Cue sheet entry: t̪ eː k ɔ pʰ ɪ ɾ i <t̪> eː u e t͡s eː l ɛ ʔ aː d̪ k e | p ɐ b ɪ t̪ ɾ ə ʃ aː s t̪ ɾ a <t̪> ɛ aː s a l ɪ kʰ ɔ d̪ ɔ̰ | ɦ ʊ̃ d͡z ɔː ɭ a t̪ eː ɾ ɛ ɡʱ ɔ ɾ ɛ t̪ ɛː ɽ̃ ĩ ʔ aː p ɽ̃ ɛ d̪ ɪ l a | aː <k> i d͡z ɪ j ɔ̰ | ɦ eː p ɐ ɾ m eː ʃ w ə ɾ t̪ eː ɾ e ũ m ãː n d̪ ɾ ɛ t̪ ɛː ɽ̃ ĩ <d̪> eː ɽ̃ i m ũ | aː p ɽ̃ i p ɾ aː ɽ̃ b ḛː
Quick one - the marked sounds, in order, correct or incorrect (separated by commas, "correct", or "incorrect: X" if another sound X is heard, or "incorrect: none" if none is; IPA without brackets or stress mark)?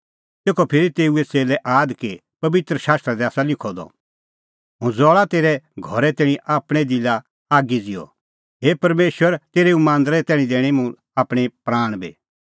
correct, incorrect: d̪, incorrect: ɡ, correct